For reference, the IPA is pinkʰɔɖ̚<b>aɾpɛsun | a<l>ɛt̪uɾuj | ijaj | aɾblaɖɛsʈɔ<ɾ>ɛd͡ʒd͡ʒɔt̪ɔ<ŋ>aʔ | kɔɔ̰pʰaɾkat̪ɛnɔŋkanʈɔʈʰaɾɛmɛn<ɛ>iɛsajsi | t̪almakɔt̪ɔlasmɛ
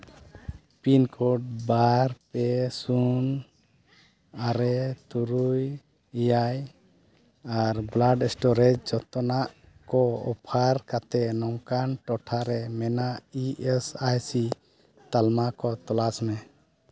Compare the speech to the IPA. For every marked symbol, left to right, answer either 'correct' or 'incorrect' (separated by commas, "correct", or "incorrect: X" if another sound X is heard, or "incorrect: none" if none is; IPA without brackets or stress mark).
correct, incorrect: ɾ, correct, incorrect: n, incorrect: a